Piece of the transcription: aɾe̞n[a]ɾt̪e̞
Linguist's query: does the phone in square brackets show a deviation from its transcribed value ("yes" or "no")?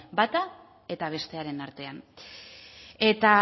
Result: no